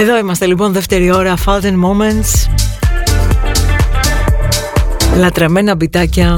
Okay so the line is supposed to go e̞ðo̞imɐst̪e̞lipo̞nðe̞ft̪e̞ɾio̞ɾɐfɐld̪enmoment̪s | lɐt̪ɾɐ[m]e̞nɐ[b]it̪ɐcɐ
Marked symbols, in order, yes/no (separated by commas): yes, yes